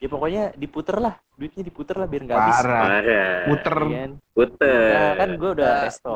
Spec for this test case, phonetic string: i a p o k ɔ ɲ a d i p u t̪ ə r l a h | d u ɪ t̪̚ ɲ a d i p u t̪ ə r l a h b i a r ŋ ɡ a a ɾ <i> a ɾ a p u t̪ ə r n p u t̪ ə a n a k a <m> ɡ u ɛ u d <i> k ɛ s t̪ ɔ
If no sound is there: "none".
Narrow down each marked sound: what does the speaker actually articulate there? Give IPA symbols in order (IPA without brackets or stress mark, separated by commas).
a, n, a